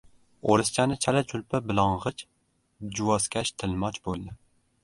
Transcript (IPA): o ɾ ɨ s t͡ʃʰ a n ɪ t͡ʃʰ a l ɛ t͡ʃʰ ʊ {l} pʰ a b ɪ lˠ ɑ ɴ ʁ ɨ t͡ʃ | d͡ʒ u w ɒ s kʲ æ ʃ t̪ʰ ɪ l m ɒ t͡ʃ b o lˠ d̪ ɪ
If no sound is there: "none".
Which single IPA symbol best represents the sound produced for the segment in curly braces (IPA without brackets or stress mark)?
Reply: l